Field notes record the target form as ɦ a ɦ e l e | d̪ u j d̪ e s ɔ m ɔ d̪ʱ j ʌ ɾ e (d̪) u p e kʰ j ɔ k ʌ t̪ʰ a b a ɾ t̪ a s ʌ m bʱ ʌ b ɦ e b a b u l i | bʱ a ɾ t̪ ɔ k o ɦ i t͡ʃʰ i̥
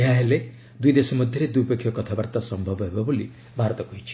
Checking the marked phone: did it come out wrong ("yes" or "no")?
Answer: no